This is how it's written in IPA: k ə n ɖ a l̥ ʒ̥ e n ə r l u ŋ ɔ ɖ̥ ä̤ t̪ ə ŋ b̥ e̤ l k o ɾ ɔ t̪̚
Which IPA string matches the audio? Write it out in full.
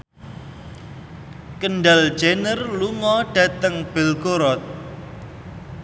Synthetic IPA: k ə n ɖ a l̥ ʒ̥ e n ə r l u ŋ ɔ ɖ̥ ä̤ t̪ ə ŋ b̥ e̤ l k o ɾ ɔ t̪̚